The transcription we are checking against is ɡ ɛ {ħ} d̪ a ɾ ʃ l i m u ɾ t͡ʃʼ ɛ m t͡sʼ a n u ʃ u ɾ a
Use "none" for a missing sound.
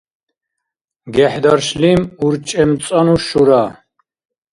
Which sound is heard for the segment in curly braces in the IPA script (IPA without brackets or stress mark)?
ħ